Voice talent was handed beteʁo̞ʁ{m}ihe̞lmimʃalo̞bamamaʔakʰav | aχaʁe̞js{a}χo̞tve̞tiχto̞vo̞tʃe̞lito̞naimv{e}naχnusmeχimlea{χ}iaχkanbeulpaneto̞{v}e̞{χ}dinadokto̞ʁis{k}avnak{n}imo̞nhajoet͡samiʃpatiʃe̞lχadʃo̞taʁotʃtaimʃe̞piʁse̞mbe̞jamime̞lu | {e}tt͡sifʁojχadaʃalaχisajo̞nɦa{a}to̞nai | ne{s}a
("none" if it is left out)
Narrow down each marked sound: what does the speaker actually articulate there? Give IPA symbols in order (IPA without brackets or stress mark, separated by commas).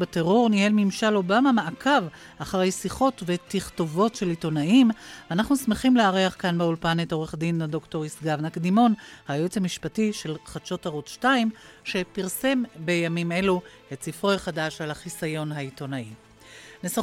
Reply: n, i, a, ʁ, ʁ, χ, ɡ, d, e, i, s